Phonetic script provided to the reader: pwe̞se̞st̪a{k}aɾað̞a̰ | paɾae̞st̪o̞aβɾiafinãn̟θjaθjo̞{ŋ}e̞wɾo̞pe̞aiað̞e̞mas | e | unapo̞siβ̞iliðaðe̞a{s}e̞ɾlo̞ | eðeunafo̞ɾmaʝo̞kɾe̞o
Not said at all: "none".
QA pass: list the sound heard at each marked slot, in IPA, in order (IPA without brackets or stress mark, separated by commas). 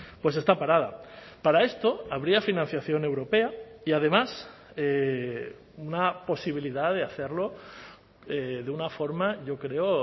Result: p, n, θ